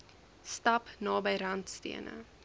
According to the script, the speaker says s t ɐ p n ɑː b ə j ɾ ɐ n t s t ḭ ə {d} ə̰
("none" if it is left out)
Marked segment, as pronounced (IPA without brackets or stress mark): n